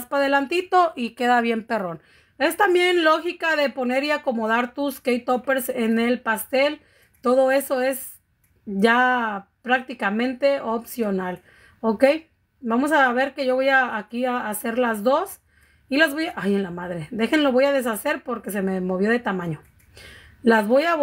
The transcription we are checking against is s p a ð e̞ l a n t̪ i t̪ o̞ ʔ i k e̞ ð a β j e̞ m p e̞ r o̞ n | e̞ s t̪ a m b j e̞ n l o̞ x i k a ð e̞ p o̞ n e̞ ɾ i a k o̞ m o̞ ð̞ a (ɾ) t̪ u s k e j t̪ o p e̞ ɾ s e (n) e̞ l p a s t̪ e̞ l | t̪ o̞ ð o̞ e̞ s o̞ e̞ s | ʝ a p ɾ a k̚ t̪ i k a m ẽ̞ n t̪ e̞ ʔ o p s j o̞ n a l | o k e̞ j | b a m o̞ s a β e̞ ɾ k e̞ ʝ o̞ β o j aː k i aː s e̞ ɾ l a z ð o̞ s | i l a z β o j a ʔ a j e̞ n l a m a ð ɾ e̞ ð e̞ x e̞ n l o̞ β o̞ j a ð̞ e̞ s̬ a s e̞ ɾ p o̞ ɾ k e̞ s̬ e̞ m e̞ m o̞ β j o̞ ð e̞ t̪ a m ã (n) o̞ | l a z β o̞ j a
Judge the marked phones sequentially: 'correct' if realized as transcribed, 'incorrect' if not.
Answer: correct, correct, incorrect: ɲ

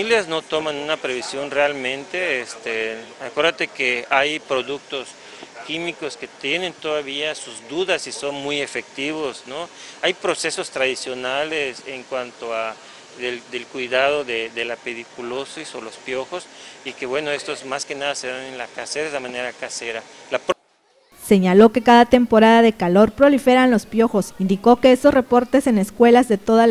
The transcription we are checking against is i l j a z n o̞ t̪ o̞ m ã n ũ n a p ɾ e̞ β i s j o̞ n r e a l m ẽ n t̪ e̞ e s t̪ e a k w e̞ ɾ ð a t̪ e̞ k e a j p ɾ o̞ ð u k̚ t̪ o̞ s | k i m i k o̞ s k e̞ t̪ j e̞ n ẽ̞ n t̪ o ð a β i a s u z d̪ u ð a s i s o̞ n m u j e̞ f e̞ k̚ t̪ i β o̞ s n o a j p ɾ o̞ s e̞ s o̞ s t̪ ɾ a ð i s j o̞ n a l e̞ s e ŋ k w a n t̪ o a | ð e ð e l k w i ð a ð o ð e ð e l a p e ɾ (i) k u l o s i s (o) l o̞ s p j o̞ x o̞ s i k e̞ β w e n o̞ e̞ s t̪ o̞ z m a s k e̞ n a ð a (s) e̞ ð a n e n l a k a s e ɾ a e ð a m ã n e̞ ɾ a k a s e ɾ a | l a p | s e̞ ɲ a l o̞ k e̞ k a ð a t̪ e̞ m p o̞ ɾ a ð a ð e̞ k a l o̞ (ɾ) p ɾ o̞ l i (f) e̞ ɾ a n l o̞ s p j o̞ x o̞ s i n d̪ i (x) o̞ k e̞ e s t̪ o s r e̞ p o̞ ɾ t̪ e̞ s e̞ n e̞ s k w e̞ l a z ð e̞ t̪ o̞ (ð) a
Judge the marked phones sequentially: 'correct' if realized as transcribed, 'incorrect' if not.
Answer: correct, correct, correct, correct, correct, incorrect: k, correct

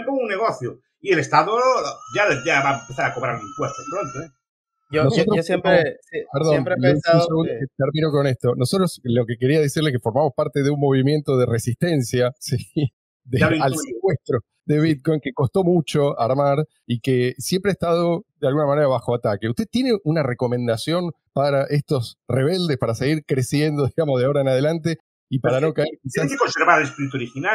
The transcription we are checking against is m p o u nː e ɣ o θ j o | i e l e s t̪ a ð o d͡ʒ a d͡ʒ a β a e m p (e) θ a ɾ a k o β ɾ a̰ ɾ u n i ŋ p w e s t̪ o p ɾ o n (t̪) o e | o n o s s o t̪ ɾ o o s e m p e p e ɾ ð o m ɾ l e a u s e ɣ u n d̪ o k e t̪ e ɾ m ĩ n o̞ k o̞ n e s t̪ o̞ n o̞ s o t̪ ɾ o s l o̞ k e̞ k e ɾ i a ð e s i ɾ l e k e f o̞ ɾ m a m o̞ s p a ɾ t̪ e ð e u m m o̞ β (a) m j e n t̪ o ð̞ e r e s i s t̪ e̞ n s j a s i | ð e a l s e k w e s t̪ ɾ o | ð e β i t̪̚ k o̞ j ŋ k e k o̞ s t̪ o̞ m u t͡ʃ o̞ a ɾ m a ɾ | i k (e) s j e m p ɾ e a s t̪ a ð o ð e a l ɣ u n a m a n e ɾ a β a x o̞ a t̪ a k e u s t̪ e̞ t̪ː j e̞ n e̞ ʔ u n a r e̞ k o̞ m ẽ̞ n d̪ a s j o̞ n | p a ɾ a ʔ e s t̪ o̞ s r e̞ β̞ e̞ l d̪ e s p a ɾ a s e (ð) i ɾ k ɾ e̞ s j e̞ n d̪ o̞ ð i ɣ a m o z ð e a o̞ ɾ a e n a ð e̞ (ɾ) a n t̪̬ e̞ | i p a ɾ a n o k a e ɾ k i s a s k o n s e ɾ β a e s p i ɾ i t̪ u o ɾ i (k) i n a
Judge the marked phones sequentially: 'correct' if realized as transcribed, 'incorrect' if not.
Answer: correct, correct, incorrect: i, correct, incorrect: ɣ, incorrect: l, incorrect: x

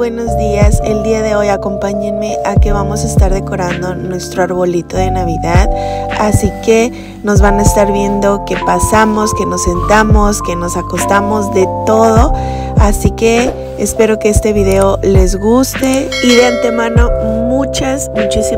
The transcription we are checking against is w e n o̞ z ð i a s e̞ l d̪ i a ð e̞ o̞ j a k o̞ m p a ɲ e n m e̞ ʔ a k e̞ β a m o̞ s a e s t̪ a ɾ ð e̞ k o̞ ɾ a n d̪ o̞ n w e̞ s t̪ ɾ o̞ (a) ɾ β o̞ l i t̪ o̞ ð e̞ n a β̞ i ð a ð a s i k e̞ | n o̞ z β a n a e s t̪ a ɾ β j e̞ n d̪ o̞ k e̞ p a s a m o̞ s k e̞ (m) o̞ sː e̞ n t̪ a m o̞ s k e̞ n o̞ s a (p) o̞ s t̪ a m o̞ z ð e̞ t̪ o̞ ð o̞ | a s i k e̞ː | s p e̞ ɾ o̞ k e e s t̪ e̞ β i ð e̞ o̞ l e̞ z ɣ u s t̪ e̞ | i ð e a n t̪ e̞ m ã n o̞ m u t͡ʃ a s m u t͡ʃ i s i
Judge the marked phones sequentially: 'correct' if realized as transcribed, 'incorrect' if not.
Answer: correct, incorrect: n, incorrect: k

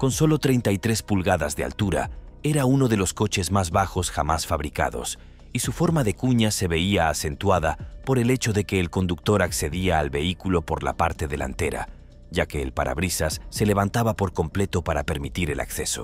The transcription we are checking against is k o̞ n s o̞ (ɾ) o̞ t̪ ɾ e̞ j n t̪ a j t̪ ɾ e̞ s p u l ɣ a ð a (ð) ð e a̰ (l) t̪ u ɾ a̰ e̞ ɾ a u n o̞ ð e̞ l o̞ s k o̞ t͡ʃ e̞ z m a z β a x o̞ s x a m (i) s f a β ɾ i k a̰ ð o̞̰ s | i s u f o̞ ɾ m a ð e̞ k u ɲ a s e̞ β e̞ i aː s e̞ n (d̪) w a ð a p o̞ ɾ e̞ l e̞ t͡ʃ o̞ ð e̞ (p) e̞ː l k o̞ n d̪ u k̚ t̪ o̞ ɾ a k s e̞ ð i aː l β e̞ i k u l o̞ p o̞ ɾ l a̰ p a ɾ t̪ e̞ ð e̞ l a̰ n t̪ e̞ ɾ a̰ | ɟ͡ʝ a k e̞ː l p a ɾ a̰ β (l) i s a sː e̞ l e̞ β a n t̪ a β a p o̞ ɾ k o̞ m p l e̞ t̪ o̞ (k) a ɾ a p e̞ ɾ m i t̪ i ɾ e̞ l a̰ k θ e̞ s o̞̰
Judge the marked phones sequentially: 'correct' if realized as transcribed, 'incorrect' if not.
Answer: incorrect: l, incorrect: z, correct, incorrect: a, incorrect: t̪, incorrect: k, incorrect: ɾ, incorrect: p

